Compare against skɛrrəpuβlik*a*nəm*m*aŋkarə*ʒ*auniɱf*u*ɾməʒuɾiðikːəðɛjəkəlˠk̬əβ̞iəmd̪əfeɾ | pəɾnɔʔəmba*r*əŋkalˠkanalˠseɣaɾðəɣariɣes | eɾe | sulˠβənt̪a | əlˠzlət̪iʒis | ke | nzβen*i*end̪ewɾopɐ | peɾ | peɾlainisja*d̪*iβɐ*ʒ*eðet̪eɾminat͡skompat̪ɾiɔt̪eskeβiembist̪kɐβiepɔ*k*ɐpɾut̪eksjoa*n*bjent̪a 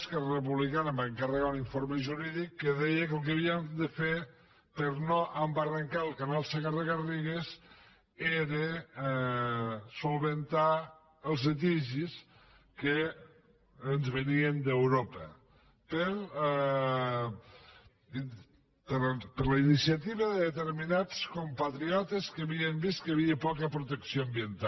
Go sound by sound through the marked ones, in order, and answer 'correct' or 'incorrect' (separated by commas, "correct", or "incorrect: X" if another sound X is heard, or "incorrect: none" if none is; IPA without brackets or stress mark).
correct, incorrect: b, incorrect: ɣ, incorrect: o, correct, correct, incorrect: t̪, incorrect: ð, correct, incorrect: m